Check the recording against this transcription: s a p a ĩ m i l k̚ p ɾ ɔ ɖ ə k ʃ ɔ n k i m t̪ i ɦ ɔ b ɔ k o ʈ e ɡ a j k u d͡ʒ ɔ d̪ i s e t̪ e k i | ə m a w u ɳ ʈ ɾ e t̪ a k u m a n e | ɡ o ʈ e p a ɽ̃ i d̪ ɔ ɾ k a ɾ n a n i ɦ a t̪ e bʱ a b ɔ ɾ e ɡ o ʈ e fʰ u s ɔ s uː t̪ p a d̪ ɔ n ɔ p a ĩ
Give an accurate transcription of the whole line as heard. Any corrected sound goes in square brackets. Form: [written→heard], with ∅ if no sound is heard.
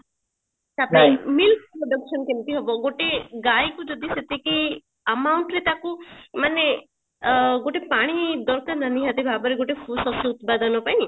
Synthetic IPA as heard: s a p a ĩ m i l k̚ p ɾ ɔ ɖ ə k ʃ ɔ n k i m t̪ i ɦ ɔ b ɔ [k→ɡ] o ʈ e ɡ a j k u d͡ʒ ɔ d̪ i s e t̪ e k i | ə m a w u ɳ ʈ ɾ e t̪ a k u m a n e | ɡ o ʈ e p a ɽ̃ i d̪ ɔ ɾ k a ɾ n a n i ɦ a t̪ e bʱ a b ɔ ɾ e ɡ o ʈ e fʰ u s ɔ s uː t̪ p a d̪ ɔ n ɔ p a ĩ